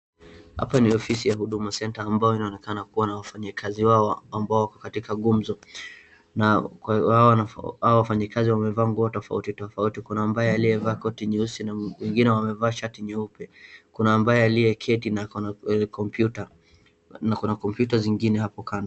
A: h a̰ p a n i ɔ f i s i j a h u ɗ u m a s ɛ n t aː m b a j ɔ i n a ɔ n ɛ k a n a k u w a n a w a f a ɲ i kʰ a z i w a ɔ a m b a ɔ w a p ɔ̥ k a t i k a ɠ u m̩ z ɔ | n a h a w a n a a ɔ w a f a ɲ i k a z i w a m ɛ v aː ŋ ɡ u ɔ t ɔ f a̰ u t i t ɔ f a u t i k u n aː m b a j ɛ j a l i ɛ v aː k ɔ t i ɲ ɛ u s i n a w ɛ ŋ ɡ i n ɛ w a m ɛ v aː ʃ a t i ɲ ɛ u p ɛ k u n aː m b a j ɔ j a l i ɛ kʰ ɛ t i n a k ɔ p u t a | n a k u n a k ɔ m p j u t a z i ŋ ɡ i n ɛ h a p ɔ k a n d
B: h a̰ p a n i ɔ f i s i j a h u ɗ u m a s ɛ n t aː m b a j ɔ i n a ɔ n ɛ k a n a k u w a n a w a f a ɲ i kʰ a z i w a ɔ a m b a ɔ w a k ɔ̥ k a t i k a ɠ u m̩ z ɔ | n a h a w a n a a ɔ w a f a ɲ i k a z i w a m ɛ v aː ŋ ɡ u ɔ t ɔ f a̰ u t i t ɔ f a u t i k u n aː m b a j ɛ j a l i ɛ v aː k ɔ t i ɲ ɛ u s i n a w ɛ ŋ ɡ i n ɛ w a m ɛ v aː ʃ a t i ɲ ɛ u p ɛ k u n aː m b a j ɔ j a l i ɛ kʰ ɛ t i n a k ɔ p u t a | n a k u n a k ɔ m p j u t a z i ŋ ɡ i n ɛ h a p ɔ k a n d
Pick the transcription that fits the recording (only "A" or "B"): B